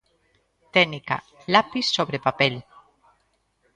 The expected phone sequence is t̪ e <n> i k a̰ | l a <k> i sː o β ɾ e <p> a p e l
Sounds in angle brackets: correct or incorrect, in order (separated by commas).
correct, incorrect, correct